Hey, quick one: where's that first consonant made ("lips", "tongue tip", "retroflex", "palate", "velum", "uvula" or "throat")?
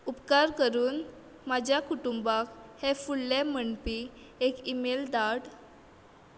lips